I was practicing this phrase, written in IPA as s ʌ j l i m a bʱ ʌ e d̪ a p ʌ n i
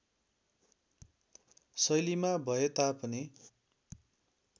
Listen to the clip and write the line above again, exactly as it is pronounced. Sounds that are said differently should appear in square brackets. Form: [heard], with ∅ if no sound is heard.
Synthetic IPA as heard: s ʌ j l i m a bʱ ʌ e [t̪] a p ʌ n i